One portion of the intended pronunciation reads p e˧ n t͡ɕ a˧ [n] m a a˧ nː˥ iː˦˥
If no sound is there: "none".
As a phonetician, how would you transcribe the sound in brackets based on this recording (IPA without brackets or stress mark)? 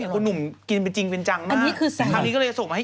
ŋ